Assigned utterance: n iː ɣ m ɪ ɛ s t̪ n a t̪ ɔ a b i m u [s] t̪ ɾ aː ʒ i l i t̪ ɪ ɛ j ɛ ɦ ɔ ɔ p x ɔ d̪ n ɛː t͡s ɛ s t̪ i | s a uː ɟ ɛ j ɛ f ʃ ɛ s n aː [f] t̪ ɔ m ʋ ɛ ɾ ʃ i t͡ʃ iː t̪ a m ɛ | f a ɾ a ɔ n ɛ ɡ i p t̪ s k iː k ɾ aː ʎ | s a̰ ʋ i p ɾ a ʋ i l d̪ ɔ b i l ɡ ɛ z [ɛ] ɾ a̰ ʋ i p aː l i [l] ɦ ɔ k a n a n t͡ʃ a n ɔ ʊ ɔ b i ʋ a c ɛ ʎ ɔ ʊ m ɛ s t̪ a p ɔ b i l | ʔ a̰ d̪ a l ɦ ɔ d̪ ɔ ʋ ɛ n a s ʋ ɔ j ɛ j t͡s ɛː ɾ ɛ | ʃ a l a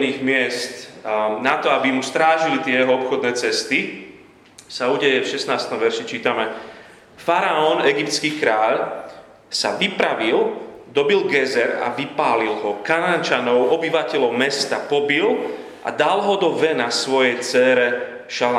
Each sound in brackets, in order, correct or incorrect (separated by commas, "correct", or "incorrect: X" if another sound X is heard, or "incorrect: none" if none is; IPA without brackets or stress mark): correct, incorrect: s, correct, correct